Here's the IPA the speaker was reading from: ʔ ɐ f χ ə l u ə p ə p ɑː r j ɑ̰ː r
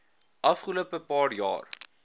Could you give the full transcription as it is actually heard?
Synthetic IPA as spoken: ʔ ɐ f χ ə l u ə p ə p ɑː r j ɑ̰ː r